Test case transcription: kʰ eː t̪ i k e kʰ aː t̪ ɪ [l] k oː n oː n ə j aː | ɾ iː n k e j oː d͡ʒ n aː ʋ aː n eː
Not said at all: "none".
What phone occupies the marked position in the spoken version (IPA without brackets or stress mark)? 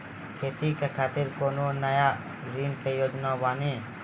ɾ